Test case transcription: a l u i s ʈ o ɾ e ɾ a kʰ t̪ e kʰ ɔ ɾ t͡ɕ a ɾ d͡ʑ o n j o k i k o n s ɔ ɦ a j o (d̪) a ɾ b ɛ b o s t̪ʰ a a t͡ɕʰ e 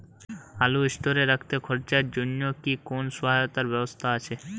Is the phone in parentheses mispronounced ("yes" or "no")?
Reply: yes